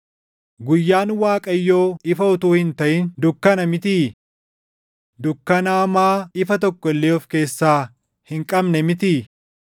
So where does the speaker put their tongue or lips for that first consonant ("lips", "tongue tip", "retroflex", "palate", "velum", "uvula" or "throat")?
velum